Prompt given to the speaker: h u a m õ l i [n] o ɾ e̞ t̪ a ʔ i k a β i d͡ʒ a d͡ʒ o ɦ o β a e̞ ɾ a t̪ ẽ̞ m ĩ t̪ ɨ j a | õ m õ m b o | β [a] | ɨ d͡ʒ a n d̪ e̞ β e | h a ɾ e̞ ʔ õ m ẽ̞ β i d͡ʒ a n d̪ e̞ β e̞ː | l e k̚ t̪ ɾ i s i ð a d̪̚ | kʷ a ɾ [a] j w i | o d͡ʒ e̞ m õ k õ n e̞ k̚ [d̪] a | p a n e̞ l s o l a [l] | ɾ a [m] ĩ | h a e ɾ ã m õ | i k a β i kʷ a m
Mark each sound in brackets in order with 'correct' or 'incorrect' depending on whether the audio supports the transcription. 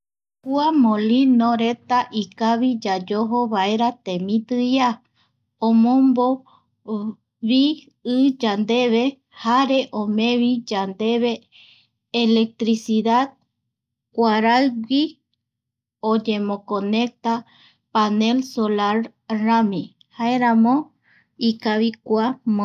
correct, incorrect, correct, incorrect, incorrect, correct

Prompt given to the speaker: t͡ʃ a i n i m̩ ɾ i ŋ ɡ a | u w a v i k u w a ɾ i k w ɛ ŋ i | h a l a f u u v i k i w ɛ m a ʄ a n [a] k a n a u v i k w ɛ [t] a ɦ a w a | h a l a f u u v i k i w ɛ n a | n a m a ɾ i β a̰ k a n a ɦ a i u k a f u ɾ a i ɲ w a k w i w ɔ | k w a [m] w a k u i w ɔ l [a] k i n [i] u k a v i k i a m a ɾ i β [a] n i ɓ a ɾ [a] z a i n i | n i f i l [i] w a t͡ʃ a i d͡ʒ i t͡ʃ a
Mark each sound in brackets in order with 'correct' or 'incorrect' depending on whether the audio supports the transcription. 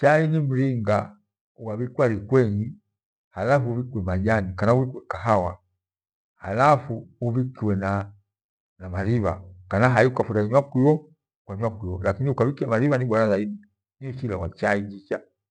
incorrect, incorrect, incorrect, correct, correct, correct, correct, incorrect

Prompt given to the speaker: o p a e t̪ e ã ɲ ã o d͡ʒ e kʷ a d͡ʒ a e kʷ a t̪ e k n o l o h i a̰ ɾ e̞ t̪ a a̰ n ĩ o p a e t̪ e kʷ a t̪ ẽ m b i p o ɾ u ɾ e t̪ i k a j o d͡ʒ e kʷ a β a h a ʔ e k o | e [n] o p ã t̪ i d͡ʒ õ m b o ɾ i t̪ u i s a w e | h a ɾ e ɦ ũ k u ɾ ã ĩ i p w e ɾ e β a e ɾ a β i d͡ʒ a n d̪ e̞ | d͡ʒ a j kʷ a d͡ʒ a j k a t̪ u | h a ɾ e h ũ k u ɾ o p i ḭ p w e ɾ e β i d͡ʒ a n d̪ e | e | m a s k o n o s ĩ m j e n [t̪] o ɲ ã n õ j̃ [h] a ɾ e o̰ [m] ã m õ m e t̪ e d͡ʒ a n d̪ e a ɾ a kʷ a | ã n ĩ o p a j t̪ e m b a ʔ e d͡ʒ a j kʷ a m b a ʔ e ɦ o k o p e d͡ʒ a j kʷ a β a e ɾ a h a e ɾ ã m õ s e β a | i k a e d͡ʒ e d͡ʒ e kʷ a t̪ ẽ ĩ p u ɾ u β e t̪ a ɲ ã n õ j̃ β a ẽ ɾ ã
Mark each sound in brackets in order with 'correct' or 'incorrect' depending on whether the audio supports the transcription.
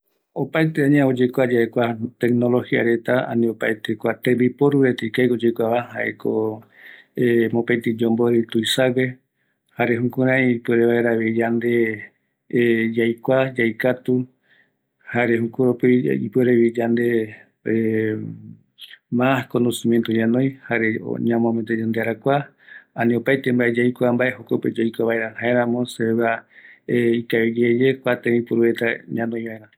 incorrect, correct, correct, incorrect

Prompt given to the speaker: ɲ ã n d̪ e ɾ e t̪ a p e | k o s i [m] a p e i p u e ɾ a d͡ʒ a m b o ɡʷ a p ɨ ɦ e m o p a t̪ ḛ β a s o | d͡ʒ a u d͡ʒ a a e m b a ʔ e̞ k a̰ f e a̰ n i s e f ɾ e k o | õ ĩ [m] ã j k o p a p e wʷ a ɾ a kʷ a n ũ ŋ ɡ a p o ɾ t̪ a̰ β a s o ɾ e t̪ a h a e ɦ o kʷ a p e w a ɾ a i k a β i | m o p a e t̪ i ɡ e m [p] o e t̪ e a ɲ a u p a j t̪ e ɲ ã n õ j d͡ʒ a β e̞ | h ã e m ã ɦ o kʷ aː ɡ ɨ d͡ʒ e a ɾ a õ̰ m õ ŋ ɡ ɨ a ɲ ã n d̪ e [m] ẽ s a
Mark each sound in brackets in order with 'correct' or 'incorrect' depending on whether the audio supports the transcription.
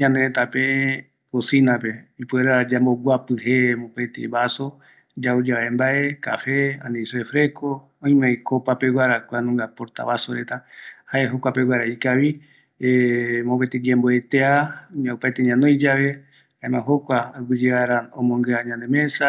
incorrect, correct, incorrect, correct

